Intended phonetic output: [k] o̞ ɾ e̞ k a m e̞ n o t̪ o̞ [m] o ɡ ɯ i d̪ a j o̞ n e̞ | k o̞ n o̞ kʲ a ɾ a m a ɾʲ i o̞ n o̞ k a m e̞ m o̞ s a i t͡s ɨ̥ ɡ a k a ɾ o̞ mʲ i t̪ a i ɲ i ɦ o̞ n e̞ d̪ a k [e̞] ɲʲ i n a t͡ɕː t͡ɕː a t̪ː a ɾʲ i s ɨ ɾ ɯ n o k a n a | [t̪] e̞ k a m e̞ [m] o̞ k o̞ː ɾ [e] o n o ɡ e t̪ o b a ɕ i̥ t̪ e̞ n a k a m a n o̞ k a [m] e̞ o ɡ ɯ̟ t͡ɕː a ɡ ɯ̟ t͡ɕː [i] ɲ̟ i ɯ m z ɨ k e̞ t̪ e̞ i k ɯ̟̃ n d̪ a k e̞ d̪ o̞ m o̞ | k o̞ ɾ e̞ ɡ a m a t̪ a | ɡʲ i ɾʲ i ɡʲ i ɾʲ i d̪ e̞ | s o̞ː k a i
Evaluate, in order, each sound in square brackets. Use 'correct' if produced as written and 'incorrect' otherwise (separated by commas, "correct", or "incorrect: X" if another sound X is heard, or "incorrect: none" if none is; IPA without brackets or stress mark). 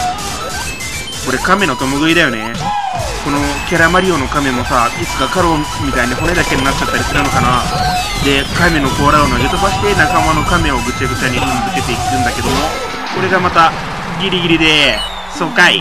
correct, correct, correct, incorrect: d̪, incorrect: n, incorrect: a, correct, incorrect: a